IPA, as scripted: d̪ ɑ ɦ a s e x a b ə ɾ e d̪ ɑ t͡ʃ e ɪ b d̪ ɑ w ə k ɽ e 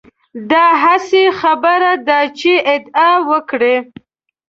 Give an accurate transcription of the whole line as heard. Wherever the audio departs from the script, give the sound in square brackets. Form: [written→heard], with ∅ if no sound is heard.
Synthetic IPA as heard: d̪ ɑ ɦ a s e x a b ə ɾ [e→a] d̪ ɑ t͡ʃ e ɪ [b→∅] d̪ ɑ w ə k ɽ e